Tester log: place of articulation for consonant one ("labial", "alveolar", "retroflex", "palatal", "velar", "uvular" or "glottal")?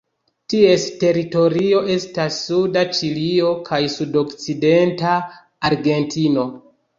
alveolar